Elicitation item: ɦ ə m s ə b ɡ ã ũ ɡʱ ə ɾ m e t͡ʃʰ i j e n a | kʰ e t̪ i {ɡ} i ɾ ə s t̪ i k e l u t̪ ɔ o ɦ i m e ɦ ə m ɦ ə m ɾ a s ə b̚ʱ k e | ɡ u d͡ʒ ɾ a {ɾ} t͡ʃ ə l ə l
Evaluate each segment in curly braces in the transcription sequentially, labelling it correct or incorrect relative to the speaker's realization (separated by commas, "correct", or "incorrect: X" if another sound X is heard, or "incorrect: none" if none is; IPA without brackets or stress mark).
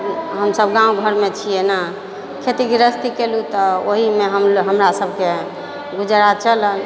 correct, incorrect: none